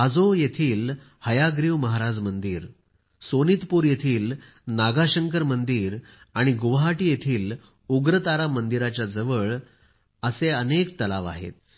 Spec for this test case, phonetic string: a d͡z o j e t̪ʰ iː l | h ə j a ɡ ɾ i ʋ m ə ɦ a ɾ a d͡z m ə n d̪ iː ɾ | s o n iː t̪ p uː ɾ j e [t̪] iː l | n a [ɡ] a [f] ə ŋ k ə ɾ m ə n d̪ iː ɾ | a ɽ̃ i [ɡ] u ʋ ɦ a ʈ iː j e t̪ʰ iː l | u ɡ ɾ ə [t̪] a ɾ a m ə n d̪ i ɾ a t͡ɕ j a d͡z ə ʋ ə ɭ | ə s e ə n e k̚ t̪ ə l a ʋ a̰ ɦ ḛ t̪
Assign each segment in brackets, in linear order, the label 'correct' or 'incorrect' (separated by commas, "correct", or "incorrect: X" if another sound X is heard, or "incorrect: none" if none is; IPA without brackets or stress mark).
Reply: incorrect: t̪ʰ, correct, incorrect: ɕ, correct, correct